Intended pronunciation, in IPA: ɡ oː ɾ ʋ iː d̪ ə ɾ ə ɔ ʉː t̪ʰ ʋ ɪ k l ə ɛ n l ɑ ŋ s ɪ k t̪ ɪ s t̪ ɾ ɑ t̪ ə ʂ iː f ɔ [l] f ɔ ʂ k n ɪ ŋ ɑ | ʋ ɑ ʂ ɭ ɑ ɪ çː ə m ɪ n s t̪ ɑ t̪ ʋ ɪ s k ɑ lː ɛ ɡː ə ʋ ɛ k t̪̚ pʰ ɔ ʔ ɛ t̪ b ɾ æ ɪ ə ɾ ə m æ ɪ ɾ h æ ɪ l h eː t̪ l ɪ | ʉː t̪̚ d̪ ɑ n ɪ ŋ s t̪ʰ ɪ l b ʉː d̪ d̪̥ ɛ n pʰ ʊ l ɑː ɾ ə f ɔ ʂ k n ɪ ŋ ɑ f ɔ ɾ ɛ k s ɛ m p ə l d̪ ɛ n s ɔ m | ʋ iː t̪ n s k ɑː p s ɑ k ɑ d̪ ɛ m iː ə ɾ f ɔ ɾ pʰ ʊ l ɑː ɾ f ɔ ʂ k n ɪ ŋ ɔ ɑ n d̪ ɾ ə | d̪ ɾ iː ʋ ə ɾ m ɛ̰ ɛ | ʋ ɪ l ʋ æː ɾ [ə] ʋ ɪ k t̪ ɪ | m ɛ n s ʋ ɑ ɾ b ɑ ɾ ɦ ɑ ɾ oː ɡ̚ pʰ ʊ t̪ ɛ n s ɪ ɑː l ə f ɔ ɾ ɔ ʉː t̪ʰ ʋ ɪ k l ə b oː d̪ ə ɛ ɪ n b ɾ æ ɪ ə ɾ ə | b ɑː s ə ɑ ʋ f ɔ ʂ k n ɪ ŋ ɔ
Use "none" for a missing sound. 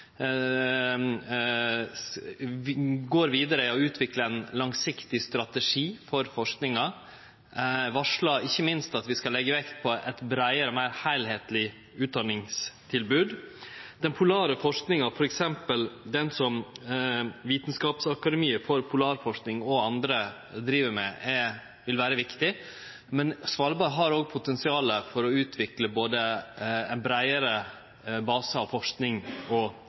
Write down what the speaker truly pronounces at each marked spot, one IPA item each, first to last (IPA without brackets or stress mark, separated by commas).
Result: ɾ, ə